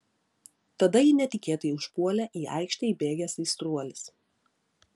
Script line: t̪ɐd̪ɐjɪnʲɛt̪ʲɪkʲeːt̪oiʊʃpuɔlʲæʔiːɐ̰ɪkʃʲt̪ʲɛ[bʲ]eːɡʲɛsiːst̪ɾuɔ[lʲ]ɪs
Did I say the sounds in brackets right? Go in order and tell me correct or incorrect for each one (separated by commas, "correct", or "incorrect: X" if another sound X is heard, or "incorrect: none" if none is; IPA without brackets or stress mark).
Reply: correct, correct